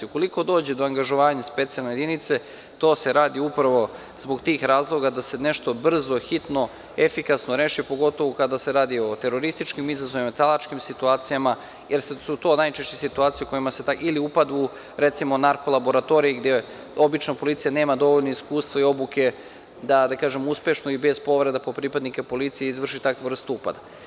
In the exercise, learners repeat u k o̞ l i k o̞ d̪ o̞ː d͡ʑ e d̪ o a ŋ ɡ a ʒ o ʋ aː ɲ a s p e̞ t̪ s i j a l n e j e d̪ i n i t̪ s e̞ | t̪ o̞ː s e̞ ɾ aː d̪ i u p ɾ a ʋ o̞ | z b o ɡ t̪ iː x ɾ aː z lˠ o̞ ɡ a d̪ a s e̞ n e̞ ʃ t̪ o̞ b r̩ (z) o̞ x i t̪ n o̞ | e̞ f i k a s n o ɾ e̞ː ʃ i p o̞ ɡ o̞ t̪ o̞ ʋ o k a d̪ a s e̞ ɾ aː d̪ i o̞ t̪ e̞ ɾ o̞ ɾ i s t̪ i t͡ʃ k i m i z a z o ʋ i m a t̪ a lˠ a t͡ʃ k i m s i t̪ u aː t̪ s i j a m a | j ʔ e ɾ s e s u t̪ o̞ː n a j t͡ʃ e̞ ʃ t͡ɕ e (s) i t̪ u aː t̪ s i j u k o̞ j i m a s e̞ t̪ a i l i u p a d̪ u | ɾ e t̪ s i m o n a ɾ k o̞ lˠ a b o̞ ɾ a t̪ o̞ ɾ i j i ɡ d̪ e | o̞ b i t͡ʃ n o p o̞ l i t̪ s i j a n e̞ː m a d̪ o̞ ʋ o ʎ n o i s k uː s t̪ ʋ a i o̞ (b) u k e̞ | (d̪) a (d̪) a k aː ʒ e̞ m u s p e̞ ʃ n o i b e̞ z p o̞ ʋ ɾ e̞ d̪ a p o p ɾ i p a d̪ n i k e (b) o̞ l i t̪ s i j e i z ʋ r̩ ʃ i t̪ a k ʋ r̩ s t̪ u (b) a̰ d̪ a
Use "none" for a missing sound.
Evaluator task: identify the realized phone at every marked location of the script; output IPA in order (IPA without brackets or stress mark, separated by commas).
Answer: z, s, b, d̪, d̪, p, p